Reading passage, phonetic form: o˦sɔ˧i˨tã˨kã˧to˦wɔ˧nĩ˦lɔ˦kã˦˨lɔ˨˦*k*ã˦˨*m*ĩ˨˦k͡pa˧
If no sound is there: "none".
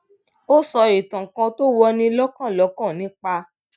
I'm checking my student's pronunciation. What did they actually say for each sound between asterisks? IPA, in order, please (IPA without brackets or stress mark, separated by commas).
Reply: k, n